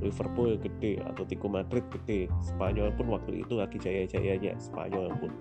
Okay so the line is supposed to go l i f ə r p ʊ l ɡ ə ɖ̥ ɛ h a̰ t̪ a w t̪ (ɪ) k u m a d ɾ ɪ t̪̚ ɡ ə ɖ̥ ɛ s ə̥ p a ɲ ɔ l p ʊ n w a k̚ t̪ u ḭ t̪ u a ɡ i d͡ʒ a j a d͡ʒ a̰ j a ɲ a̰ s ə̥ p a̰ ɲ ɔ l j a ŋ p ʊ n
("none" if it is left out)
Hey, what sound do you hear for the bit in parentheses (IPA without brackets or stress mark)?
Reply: i